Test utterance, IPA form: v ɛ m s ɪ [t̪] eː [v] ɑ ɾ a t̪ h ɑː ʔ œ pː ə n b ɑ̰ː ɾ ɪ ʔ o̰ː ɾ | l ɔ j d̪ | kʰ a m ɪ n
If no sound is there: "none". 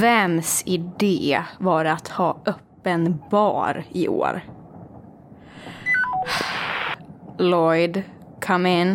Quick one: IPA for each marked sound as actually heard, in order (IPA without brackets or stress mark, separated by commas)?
d̪, v